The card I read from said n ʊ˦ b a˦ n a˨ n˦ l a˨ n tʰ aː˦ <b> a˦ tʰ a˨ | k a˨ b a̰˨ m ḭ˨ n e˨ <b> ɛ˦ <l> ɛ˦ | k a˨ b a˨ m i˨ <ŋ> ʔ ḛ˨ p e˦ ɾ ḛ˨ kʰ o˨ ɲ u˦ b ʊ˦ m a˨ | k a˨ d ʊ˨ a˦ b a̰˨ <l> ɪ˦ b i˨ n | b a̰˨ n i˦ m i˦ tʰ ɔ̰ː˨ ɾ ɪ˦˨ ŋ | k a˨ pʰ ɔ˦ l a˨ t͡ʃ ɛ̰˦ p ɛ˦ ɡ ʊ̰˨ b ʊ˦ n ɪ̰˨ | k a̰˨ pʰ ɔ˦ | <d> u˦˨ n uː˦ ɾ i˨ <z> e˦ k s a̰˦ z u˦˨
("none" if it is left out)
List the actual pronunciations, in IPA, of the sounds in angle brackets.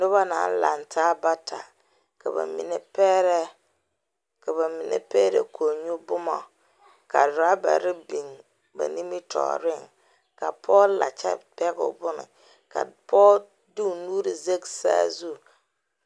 b, p, ɾ, n, ɾ, d, z

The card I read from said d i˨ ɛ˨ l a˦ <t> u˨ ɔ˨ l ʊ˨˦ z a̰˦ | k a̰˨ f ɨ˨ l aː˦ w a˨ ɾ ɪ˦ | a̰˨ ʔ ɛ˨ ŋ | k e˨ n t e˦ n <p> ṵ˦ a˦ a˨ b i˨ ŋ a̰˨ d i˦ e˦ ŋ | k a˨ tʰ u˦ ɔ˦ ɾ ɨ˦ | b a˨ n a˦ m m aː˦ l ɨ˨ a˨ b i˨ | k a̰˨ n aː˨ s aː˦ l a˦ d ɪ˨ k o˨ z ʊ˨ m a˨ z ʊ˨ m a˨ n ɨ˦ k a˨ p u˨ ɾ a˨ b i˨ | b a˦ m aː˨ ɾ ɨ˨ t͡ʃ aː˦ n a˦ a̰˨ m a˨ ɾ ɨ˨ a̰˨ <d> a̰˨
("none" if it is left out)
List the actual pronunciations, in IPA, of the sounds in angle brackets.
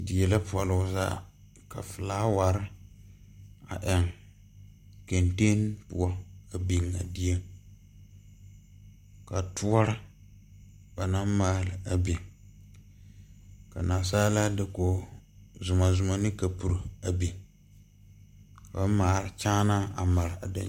p, p, d

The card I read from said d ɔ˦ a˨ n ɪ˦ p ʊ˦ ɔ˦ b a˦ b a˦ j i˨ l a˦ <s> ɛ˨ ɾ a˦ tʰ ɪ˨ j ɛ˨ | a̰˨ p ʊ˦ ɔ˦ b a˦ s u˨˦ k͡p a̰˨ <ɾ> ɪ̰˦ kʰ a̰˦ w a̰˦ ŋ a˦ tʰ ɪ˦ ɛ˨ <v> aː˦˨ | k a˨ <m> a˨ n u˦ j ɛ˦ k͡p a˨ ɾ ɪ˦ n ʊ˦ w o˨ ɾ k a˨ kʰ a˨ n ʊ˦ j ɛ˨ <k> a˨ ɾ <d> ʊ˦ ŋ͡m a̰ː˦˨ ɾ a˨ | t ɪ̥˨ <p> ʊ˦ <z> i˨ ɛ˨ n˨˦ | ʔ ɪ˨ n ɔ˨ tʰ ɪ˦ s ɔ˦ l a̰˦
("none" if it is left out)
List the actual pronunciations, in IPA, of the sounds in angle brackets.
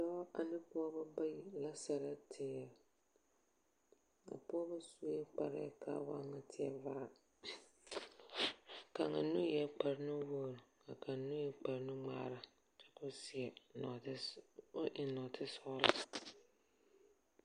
s, ɾ, v, ŋ, k͡p, n, k, s

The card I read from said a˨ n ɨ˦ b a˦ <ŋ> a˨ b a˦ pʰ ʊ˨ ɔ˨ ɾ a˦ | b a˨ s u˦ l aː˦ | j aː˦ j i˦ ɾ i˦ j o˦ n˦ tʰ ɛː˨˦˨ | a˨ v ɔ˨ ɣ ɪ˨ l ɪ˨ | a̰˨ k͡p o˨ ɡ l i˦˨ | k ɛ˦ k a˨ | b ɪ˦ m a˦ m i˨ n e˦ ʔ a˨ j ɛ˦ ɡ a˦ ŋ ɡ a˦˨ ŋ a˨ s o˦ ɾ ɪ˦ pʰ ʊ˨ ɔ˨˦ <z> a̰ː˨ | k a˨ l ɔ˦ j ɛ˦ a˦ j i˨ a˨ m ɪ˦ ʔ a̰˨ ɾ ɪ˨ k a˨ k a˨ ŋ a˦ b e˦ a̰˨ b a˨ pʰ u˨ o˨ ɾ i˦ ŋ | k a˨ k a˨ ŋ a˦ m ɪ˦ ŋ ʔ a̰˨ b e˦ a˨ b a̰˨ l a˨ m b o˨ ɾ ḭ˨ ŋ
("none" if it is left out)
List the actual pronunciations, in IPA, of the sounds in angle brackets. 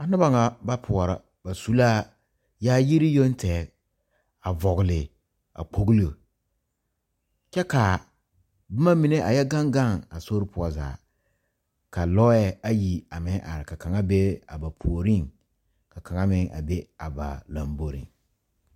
ŋ, z

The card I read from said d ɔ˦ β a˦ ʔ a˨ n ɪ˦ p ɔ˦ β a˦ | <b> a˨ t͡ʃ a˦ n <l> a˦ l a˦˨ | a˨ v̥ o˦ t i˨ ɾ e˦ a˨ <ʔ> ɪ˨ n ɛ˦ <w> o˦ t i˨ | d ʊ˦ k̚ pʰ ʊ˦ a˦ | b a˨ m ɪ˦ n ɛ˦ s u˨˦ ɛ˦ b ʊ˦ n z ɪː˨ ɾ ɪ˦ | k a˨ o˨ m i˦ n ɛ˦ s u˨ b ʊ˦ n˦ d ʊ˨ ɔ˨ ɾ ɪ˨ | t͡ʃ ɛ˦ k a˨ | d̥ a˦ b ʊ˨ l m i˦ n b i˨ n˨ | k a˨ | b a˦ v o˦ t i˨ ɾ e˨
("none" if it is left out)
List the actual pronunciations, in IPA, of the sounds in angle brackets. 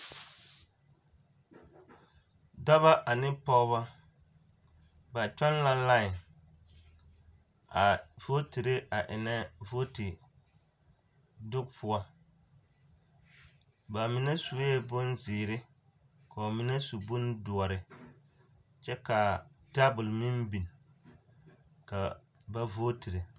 b, l, ʔ, v

